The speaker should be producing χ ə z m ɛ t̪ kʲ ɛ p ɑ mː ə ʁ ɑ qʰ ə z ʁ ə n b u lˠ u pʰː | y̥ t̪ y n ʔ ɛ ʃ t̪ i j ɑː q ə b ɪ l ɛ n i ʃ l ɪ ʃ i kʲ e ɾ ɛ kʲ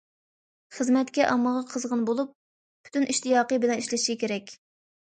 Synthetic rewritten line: χ ə z m ɛ t̪ kʲ ɛ ʔ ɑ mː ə ʁ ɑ qʰ ə z ʁ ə n b o lˠ u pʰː | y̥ t̪ y n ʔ i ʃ t̪ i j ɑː q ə b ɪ l ɛ n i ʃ l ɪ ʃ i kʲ e ɾ ɛ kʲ